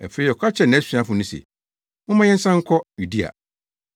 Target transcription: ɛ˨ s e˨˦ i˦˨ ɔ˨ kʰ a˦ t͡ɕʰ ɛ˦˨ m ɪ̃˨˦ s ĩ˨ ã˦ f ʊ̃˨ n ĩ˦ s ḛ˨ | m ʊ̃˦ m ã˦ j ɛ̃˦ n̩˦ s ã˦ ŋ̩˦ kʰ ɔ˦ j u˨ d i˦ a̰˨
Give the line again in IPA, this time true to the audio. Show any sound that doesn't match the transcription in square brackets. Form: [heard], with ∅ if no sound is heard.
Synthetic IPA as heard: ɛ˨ [f] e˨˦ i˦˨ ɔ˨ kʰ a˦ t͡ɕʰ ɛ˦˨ [n] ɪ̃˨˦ s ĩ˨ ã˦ f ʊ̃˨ n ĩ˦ s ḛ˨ | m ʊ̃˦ m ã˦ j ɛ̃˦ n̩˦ s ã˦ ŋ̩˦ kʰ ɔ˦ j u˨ d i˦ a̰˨